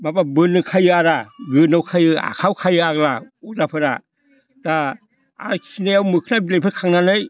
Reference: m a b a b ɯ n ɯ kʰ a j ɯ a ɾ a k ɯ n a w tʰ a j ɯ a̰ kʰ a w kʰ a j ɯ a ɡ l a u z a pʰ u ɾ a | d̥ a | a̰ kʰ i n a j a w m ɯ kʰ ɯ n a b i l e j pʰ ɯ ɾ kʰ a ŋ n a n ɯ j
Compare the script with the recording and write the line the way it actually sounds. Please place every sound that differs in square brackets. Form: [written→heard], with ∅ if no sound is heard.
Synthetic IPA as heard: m a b a b ɯ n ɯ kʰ a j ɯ a ɾ a [k→ɡ] ɯ n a w [tʰ→kʰ] a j ɯ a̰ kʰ a w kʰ a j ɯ a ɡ l a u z a pʰ [u→ɯ] ɾ a | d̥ a | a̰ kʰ i n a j a w m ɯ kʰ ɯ n a b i l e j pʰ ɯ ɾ kʰ a ŋ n a n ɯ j